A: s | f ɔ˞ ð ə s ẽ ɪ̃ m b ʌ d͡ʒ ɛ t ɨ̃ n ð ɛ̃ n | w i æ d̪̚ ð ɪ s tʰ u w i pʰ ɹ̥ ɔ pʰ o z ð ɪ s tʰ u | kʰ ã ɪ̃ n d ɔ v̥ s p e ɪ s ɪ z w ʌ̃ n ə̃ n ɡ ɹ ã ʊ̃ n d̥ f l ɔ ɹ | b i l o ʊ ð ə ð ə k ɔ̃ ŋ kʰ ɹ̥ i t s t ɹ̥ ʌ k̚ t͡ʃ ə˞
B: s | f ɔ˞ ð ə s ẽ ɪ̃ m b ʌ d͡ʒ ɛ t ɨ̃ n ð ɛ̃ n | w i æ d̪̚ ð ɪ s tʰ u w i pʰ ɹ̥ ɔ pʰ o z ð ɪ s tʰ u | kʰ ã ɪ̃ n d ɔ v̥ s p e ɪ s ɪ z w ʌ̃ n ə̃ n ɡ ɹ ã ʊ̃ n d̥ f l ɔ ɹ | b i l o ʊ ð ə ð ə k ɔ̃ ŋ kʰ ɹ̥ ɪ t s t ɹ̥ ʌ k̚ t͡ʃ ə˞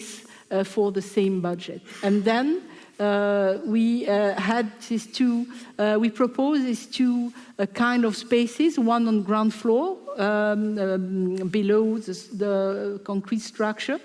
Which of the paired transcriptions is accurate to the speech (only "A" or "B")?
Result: A